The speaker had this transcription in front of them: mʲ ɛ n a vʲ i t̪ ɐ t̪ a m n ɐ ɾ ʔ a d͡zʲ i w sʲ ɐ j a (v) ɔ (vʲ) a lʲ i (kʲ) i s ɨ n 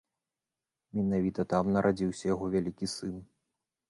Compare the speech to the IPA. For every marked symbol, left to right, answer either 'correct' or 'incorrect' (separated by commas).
incorrect, correct, correct